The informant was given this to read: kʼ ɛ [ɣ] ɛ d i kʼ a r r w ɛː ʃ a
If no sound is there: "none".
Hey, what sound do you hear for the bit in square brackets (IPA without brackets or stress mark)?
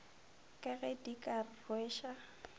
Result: ɣ